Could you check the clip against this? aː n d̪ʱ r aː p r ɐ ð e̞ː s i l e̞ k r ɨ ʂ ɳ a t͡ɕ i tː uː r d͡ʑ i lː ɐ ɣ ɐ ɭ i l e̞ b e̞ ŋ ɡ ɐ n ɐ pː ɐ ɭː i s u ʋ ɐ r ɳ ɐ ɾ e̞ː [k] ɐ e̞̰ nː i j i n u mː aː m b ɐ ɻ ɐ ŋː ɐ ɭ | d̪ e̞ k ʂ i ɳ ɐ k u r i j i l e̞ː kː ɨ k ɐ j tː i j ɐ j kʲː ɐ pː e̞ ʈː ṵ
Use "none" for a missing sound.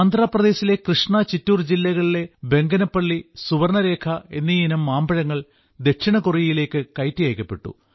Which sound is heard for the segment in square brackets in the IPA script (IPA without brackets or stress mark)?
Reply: kʰ